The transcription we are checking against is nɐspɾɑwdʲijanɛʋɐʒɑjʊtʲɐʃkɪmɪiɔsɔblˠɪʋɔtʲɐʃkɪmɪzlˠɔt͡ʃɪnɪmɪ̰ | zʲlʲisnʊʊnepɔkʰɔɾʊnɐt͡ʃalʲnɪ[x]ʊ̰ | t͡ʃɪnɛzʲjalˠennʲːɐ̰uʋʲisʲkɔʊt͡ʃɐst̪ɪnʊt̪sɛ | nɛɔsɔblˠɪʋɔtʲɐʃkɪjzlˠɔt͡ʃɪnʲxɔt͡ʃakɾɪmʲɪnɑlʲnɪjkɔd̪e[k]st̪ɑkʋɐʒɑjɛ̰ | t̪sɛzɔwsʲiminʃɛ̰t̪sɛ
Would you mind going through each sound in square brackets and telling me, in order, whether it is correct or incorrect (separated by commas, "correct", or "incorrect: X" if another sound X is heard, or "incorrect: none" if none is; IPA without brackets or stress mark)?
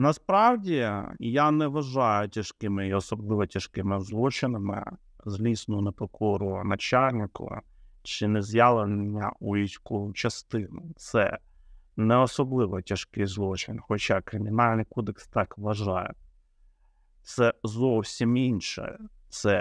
incorrect: k, correct